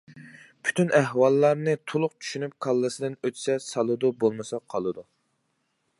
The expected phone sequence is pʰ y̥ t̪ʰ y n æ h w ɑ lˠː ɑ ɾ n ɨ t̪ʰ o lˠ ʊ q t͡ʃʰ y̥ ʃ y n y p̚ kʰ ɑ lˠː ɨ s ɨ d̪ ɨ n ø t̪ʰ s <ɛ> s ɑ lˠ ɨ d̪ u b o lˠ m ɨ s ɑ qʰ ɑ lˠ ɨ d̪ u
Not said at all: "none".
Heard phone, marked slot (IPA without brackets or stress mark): ɛ